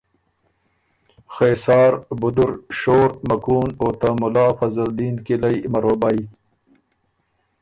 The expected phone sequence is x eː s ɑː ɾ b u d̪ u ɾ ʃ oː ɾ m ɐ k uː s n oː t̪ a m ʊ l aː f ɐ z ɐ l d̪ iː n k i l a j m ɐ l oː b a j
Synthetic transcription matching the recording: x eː s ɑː ɾ b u d̪ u ɾ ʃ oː ɾ m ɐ k uː n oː t̪ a m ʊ l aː f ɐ z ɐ l d̪ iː n k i l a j m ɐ ɾ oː b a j